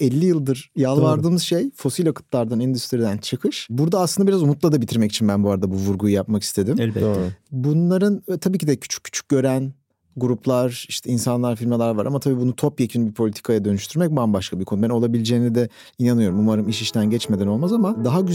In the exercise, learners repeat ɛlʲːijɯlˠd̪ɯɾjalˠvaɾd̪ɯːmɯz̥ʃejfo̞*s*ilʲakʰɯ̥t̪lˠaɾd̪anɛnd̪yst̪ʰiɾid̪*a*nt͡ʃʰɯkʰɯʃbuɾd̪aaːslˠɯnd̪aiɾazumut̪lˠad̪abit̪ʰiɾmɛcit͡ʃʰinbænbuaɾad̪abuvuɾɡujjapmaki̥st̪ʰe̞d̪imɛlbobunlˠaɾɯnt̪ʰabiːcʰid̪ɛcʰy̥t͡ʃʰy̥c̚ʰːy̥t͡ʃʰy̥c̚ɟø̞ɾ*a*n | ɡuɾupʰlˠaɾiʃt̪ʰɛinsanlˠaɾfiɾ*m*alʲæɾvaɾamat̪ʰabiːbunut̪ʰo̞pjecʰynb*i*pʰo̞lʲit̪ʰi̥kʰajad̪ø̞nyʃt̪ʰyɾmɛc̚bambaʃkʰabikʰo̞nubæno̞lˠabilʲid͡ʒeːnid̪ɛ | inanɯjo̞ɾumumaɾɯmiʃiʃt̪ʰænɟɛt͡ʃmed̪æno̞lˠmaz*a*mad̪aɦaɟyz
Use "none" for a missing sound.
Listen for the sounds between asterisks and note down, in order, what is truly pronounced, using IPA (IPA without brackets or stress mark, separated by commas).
s, æ, æ, m, i, a